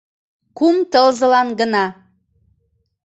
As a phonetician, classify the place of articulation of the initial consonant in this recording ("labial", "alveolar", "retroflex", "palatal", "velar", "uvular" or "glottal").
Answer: velar